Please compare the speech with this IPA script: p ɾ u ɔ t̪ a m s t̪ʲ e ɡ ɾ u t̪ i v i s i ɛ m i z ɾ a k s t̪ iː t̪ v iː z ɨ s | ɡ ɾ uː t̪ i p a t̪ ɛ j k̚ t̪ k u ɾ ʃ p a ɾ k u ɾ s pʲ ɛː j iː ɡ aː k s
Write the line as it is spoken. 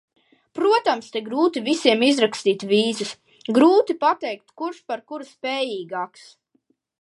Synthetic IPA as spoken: p ɾ u ɔ t̪ a m s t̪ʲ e ɡ ɾ uː t̪ i v i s i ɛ m i z ɾ a k s t̪ iː t̪ v iː z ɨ s | ɡ ɾ uː t̪ i p a t̪ ɛ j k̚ t̪ k u ɾ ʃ p a ɾ k u ɾ s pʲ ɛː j iː ɡ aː k s